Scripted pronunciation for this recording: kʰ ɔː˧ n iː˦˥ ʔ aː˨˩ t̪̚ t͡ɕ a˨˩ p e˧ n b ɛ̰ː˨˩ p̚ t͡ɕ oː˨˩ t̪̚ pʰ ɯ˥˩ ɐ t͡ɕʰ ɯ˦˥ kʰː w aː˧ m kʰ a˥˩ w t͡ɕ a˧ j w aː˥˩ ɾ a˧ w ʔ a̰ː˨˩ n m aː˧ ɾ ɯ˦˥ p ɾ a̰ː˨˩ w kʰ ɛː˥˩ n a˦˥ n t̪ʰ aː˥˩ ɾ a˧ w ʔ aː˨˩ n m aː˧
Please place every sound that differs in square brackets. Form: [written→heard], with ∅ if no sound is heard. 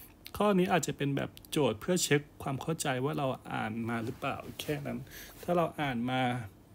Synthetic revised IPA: kʰ [ɔː˧→ɔː˥˩] n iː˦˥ ʔ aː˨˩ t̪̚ t͡ɕ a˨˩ p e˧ n b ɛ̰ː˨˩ p̚ t͡ɕ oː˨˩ t̪̚ pʰ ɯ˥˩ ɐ t͡ɕʰ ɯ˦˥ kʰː w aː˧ m kʰ a˥˩ w t͡ɕ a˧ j w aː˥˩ ɾ a˧ w ʔ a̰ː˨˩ n m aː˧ ɾ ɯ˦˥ p [ɾ→l] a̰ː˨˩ w kʰ ɛː˥˩ n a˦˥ n t̪ʰ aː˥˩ ɾ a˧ w ʔ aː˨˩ n m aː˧